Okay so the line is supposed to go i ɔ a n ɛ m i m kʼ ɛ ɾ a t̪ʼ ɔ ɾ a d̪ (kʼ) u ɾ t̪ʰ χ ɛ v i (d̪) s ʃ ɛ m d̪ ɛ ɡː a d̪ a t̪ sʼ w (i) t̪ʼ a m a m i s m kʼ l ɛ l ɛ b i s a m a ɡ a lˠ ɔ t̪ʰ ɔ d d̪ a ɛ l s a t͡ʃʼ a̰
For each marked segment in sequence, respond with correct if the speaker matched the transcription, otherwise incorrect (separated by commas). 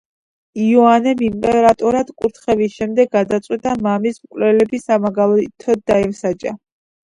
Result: correct, incorrect, correct